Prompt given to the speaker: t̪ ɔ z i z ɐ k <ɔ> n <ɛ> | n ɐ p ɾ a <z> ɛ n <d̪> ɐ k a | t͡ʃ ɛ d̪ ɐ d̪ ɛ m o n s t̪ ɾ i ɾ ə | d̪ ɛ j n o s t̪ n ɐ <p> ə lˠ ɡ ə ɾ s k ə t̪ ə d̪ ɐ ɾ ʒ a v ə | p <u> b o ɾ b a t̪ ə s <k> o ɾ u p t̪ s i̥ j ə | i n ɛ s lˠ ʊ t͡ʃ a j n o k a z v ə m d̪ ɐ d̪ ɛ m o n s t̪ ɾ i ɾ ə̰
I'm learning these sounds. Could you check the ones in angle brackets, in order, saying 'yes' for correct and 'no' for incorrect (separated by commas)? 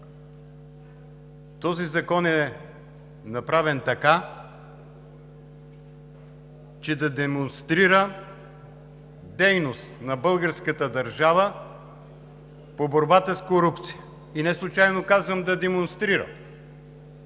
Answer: yes, yes, no, no, no, no, yes